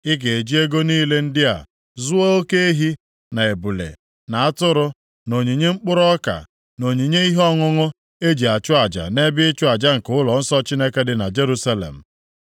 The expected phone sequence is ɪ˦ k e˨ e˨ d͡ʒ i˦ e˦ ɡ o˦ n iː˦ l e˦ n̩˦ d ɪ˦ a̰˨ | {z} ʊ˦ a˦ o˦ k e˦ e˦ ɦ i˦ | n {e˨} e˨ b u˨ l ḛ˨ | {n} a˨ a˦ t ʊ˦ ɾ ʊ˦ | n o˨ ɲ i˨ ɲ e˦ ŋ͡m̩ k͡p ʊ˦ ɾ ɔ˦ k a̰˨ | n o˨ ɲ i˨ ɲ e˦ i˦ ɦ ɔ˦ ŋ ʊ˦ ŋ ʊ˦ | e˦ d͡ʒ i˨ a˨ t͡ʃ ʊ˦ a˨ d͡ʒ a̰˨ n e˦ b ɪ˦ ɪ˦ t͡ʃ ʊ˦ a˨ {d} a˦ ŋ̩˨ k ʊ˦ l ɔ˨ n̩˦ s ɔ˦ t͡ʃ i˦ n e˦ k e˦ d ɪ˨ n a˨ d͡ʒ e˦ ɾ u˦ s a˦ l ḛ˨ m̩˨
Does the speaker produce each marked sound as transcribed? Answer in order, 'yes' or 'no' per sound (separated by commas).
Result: yes, no, yes, no